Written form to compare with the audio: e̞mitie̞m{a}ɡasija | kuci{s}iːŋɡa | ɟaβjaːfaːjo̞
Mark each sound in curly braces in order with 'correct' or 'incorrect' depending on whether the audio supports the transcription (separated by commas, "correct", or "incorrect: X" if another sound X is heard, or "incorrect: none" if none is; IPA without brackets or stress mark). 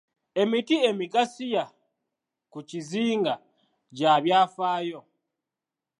incorrect: i, incorrect: z